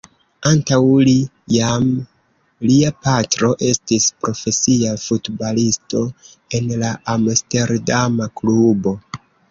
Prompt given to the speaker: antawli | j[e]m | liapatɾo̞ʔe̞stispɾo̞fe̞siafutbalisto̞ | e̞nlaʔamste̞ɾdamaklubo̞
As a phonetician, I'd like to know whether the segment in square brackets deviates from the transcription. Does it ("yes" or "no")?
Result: yes